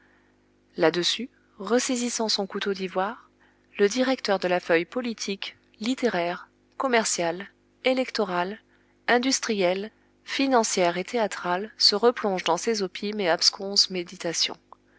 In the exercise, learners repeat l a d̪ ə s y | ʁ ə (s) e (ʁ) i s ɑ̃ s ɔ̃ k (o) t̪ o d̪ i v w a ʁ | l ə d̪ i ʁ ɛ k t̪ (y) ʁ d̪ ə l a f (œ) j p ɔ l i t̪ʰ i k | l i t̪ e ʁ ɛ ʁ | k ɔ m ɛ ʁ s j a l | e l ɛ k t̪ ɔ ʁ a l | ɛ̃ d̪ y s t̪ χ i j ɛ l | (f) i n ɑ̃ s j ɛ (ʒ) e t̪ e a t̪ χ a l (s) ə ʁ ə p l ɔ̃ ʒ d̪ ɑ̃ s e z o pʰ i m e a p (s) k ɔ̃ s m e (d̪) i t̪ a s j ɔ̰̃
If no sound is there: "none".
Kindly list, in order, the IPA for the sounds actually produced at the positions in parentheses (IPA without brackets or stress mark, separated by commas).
s, z, u, œ, œ, f, ʁ, s, s, d̪